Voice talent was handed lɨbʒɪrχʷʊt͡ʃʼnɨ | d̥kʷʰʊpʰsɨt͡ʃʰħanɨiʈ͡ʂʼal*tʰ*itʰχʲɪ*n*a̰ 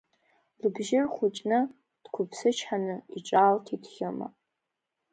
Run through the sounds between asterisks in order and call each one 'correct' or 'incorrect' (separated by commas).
correct, incorrect